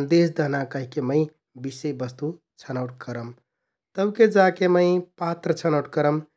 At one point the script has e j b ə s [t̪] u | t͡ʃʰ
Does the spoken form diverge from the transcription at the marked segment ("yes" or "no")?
no